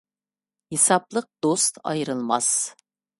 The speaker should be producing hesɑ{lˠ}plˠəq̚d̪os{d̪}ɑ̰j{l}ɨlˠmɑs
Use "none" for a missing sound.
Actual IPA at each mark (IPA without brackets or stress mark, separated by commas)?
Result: none, t̪, ɾ